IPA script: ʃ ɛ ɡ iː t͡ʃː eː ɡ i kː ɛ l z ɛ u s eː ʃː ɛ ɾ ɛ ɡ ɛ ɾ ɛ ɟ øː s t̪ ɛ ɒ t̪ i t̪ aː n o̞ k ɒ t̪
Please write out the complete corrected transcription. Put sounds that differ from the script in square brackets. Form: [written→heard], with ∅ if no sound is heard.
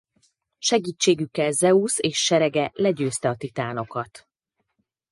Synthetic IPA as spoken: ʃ ɛ ɡ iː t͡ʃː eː ɡ [i→y] kː ɛ l z ɛ u s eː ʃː ɛ ɾ ɛ ɡ ɛ [ɾ→l] ɛ ɟ øː s t̪ ɛ ɒ t̪ i t̪ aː n o̞ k ɒ t̪